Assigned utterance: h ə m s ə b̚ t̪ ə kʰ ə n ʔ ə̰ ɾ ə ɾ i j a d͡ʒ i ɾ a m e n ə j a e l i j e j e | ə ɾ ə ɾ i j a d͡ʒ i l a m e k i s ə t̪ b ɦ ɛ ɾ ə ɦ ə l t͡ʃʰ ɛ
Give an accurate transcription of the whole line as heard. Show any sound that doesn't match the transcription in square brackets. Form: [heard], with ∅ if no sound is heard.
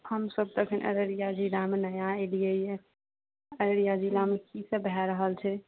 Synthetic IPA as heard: h ə m s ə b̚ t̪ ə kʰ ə n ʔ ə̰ ɾ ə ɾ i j a d͡ʒ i [l] a m e n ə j a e l i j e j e | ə ɾ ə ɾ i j a d͡ʒ i l a m e k i s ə [∅] b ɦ ɛ ɾ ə ɦ ə l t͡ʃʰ ɛ